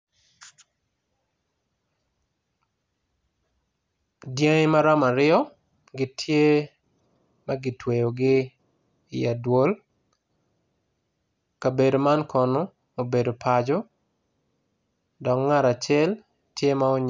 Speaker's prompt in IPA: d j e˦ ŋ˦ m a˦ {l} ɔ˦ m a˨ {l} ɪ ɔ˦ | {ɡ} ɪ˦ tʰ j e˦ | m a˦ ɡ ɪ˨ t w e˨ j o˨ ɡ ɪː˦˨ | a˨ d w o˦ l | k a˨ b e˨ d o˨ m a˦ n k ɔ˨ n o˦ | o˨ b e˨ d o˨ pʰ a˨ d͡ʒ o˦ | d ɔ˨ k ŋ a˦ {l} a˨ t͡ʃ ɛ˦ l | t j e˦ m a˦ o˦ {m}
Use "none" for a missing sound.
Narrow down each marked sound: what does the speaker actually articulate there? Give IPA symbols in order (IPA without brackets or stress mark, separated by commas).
ɾ, ɾ, ɡ, ɾ, ɲ